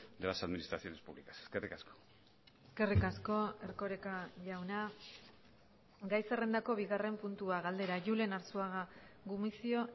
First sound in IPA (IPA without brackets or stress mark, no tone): d̪